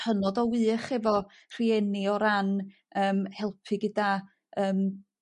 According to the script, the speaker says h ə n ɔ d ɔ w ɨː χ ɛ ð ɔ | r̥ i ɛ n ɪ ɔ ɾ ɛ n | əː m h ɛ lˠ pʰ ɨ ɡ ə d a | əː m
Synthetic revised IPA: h ə n ɔ d ɔ w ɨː χ ɛ v ɔ | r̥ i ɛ n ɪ ɔ ɾ a n | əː m h ɛ lˠ pʰ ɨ ɡ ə d a | əː m